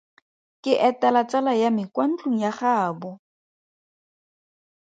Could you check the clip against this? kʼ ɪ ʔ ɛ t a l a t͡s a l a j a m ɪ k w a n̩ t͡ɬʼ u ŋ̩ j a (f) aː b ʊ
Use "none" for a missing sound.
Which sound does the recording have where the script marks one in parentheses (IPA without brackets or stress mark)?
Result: χ